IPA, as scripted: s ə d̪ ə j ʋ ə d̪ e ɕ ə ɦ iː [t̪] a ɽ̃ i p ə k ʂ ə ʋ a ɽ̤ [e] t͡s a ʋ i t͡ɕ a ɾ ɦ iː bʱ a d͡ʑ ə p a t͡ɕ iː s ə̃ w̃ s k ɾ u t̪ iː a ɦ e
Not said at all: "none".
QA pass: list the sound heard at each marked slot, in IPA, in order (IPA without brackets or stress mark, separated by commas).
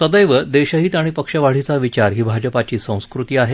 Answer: t̪, i